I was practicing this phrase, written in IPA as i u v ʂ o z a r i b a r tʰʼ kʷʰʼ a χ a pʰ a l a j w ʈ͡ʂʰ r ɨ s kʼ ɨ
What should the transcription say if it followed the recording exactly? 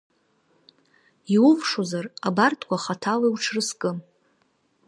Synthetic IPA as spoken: i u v ʂ o z a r a b a r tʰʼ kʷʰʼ a χ a tʰ a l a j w ʈ͡ʂʰ r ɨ s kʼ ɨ